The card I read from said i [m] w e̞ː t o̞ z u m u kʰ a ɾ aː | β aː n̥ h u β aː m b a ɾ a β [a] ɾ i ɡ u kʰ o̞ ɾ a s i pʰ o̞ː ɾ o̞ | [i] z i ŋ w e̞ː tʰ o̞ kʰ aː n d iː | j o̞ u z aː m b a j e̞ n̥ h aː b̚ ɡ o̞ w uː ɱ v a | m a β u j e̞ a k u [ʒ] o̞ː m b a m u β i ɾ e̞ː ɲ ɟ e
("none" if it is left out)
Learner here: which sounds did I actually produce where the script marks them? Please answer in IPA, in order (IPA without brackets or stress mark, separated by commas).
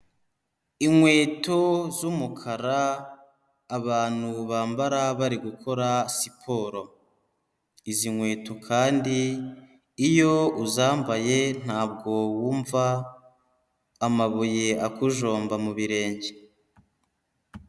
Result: ŋ, a, i, ʒ